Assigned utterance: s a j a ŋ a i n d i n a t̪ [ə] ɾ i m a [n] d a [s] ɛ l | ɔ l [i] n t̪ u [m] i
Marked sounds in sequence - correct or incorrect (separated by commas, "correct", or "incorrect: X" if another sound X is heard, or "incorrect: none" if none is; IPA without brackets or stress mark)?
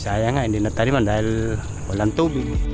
incorrect: a, correct, incorrect: none, incorrect: a, incorrect: b